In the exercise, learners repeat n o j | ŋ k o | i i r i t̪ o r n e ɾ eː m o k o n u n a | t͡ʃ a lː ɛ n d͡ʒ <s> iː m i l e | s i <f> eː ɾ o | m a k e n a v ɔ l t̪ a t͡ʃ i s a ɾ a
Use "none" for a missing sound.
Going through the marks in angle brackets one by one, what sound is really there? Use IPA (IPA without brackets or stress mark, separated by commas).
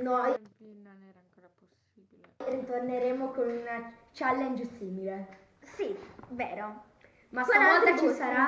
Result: s, v